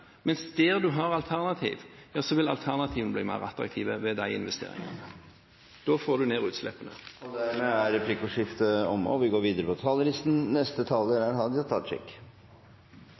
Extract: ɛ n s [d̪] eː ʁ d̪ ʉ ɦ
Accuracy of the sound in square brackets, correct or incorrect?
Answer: correct